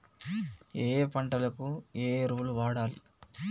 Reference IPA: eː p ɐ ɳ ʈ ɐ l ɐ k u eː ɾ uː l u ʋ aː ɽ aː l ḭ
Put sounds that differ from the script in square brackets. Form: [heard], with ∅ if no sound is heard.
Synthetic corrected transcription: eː p ɐ ɳ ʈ ɐ l ɐ k u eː ɾ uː l u ʋ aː ɽ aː l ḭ